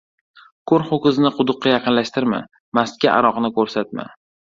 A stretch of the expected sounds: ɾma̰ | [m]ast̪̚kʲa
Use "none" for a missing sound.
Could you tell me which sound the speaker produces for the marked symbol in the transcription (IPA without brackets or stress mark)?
m